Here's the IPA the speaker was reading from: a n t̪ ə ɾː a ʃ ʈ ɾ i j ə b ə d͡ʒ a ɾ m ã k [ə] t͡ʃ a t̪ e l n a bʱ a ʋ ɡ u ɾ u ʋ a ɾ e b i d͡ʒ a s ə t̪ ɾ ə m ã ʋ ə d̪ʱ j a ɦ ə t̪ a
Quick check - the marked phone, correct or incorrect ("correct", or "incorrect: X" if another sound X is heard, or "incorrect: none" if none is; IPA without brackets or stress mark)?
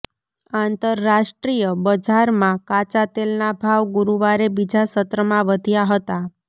incorrect: a